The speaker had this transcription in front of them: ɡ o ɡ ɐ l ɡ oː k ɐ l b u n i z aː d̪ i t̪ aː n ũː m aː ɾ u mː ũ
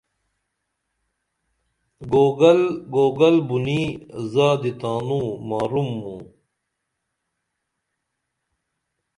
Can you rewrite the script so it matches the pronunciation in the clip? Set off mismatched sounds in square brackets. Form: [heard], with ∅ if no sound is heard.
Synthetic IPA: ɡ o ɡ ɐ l ɡ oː [ɡ] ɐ l b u n i z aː d̪ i t̪ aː n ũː m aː ɾ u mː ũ